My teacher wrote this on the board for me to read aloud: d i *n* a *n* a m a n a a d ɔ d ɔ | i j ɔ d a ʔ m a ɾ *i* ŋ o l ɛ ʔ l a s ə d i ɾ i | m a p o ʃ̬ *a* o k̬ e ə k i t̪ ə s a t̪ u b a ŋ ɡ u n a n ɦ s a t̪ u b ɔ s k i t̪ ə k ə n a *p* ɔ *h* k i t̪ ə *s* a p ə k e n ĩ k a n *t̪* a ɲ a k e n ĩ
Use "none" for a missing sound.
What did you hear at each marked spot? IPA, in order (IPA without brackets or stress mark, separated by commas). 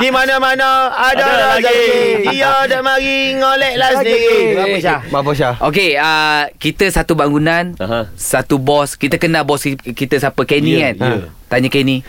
m, n, i, a, b, s, s, t̪